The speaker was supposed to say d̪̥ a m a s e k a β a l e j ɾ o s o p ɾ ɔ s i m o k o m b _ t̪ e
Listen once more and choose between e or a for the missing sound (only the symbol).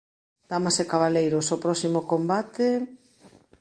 a